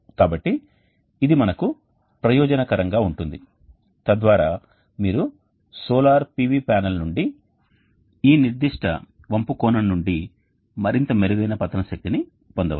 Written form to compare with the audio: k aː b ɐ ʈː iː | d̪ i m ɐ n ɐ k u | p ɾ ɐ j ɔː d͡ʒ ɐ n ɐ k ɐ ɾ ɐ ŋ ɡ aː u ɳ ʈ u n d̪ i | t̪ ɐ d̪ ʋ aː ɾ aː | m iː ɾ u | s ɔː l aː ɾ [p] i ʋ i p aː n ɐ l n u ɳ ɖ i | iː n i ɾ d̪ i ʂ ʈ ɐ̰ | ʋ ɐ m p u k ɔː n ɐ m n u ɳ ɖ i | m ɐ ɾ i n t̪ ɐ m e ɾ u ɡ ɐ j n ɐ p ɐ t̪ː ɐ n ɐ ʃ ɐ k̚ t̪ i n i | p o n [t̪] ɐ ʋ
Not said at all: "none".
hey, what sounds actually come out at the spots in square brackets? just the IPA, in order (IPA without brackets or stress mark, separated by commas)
p, d̪